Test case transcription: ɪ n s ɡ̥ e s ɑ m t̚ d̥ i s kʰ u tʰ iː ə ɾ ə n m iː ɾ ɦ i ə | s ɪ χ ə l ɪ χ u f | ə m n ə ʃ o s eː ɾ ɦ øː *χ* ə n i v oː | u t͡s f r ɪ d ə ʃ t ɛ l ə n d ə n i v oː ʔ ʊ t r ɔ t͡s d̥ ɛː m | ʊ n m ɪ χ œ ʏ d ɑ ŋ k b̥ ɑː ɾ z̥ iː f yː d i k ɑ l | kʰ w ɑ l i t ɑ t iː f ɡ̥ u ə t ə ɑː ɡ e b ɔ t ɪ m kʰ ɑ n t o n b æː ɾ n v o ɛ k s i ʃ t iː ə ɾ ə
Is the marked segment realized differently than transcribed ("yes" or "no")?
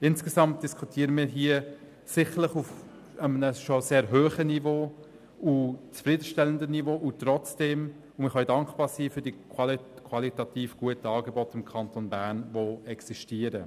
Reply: no